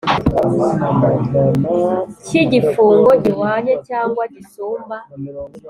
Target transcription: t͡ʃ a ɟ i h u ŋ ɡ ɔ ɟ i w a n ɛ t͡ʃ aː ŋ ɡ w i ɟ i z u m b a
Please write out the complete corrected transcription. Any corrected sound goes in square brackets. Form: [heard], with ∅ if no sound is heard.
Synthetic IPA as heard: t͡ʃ [i] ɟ i [f] u ŋ ɡ ɔ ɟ i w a [ɲ] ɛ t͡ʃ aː ŋ ɡ w [a] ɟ i [s] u m b a

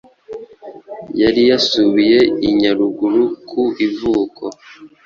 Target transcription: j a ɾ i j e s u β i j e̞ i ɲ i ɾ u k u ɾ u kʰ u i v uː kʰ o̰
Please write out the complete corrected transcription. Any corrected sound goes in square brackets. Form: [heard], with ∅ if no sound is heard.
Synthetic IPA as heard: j a ɾ i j [a] s u β i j e̞ i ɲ [a] ɾ u [ɡ] u ɾ u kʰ u i v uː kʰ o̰

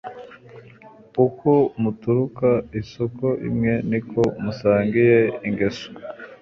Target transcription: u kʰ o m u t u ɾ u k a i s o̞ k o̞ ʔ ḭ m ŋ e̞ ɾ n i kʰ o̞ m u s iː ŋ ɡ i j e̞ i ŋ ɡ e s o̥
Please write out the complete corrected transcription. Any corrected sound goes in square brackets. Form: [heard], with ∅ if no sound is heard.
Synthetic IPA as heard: u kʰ o m u t u ɾ u k a i s o̞ k o̞ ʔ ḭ m ŋ e̞ [∅] n i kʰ o̞ m u s [aː] ŋ ɡ i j e̞ i ŋ ɡ e s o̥

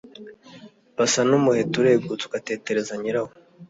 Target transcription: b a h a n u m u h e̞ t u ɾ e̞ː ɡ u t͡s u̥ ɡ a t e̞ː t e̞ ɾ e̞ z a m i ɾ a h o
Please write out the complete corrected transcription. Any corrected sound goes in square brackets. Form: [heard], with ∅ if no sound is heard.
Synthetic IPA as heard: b a [s] a n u m u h e̞ t u ɾ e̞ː ɡ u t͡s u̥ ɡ a t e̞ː t e̞ ɾ e̞ z a [ɲ] i ɾ a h o

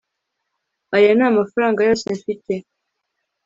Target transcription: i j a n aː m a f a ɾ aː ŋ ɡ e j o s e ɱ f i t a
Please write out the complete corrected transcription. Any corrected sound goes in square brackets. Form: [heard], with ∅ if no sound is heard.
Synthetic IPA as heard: [a] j a n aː m a f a ɾ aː ŋ ɡ [a] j o s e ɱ f i t [e]

